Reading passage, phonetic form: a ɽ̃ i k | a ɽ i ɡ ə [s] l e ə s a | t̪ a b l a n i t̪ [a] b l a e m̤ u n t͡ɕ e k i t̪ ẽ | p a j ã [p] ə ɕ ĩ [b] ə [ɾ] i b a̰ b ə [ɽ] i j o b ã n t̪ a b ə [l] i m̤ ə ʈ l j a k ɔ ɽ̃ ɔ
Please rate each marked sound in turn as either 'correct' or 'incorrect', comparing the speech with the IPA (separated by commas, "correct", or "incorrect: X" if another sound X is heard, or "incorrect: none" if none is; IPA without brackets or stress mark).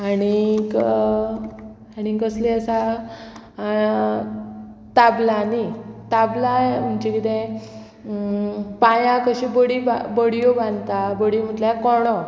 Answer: correct, correct, incorrect: k, correct, incorrect: ɽ, correct, incorrect: ɽ